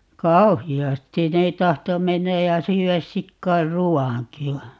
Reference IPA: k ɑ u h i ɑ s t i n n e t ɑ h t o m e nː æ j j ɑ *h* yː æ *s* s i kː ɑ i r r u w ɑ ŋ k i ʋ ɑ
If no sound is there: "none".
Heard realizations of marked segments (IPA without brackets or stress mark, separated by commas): s, s